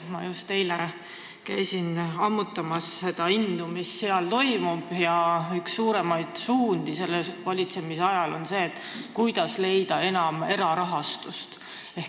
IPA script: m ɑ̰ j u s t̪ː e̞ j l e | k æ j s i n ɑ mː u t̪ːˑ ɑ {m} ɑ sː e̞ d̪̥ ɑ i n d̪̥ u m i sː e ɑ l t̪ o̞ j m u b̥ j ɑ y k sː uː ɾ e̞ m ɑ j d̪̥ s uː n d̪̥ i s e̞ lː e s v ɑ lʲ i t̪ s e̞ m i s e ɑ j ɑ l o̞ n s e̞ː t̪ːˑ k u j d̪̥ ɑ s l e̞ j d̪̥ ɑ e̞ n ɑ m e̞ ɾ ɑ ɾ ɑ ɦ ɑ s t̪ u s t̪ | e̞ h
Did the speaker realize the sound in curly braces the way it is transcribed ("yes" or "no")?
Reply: yes